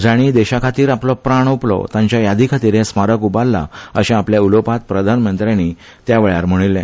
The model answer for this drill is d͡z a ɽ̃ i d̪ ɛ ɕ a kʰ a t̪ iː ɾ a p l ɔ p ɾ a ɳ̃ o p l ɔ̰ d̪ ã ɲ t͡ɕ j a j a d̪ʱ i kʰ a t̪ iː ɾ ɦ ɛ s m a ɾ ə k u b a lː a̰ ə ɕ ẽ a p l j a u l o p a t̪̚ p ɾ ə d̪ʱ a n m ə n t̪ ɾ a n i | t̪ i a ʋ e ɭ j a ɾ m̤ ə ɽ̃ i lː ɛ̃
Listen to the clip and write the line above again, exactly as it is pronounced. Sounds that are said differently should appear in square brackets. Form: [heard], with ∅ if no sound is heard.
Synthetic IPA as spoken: d͡z a ɽ̃ i d̪ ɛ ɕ a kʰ a t̪ iː ɾ a p l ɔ p ɾ a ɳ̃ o p l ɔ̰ [t̪] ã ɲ t͡ɕ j a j a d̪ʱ i kʰ a t̪ iː ɾ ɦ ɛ s m a ɾ ə k u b a lː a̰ ə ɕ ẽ a p l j a u l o p a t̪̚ p ɾ ə d̪ʱ a n m ə n t̪ ɾ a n i | t̪ [j] a ʋ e ɭ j a ɾ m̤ ə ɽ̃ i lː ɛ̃